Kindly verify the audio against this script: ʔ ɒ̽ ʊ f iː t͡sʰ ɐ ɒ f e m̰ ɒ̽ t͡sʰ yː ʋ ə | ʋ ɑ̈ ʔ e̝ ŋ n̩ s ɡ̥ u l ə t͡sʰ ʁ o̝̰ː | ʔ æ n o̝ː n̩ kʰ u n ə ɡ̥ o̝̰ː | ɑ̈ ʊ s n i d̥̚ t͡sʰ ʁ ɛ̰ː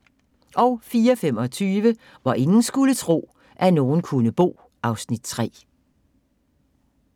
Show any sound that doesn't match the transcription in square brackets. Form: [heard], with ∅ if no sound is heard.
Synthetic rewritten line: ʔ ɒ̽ ʊ f iː [∅] ɐ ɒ f e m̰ ɒ̽ t͡sʰ yː ʋ ə | ʋ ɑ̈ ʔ e̝ ŋ n̩ s ɡ̥ u l ə t͡sʰ ʁ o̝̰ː | ʔ æ n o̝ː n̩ kʰ u n ə [b̥] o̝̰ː | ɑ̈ ʊ s n i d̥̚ t͡sʰ ʁ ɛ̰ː